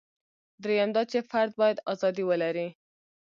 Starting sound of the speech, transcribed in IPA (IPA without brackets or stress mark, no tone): d̪